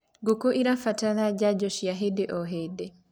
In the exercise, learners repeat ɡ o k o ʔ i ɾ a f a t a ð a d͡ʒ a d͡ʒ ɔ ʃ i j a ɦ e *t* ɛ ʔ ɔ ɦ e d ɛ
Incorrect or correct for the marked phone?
incorrect: d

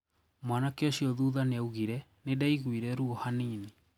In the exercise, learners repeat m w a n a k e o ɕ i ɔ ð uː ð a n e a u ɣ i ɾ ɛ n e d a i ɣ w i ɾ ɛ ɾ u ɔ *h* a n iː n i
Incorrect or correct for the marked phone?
correct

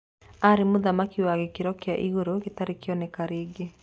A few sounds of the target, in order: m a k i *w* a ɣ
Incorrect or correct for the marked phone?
correct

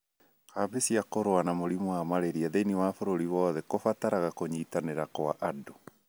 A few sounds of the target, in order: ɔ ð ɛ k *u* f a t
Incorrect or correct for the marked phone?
incorrect: o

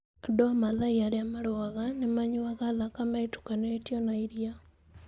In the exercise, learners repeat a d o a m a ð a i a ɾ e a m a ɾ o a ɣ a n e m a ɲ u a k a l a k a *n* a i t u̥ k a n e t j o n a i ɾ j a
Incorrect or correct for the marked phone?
incorrect: m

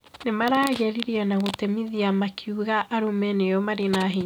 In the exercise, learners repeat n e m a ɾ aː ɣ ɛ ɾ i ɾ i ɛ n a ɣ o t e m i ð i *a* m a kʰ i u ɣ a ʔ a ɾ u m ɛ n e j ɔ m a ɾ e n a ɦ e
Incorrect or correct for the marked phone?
correct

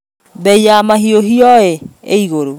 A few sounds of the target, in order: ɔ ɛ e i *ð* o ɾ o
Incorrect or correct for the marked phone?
incorrect: ɣ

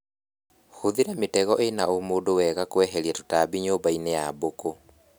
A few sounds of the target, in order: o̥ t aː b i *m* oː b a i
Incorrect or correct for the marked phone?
incorrect: ɲ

